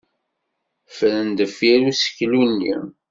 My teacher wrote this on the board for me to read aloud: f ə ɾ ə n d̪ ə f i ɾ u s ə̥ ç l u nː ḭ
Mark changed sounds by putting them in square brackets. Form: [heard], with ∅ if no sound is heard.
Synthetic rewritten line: f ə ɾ ə n d̪ ə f i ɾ u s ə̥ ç l u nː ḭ